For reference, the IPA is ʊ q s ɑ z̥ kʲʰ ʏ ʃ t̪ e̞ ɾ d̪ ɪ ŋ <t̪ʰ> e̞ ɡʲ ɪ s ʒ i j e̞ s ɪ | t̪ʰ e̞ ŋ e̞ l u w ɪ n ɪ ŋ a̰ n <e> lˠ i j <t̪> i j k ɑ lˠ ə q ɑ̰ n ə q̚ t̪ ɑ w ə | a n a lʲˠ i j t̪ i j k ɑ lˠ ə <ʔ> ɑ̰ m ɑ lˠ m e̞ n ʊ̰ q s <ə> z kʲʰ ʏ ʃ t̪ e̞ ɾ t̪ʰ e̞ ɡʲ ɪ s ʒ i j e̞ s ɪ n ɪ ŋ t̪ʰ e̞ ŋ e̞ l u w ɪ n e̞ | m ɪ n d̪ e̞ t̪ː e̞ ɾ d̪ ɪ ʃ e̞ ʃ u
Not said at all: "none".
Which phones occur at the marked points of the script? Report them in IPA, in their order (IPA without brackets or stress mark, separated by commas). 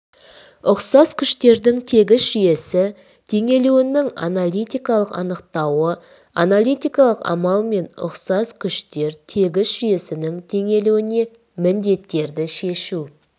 t̪ʰ, a, t̪, q, ɑ